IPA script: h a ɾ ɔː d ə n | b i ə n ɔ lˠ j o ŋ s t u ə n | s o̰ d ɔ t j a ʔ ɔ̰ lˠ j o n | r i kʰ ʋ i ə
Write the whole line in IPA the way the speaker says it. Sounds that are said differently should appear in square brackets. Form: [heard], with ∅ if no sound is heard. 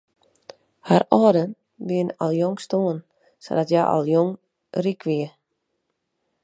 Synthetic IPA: h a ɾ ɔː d ə n | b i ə n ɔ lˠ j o ŋ s t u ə n | s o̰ d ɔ t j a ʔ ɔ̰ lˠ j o [ŋ] | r i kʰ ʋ i ə